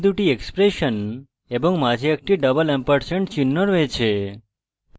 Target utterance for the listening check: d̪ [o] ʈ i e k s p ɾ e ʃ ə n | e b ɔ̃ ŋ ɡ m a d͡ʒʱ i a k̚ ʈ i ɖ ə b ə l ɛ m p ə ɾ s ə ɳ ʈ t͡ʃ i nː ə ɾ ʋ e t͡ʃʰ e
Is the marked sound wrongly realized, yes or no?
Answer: yes